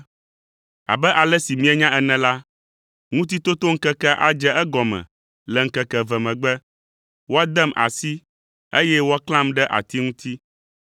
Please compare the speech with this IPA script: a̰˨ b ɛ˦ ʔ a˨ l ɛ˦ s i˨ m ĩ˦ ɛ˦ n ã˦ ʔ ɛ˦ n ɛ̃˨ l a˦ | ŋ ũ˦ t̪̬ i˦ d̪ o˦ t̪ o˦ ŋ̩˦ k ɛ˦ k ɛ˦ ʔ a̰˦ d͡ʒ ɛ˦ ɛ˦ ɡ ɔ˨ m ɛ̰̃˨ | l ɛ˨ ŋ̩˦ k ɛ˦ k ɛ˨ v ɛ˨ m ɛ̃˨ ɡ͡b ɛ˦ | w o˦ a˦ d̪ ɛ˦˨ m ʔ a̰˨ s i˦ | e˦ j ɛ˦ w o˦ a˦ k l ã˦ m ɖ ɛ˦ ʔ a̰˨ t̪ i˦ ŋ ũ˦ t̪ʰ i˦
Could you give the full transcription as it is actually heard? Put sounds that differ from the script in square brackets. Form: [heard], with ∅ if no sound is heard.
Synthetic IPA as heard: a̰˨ b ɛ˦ ʔ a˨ l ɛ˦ s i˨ m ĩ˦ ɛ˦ [ɲ] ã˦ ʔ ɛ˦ n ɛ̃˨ l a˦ | ŋ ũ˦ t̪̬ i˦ [t̪] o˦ t̪ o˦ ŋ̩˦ k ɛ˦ k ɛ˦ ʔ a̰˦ d͡ʒ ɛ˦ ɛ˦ ɡ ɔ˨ m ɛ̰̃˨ | l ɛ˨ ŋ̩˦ k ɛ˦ k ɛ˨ v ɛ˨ m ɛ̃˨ ɡ͡b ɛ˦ | w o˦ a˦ d̪ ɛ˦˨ m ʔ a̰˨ s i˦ | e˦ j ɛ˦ w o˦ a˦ k l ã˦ m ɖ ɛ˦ ʔ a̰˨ t̪ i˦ ŋ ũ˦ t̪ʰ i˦